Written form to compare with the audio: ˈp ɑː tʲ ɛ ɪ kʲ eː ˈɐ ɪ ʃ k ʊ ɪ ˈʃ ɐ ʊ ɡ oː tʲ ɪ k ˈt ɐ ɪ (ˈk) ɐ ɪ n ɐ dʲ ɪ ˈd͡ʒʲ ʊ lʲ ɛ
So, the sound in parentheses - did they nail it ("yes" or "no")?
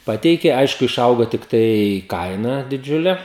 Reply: yes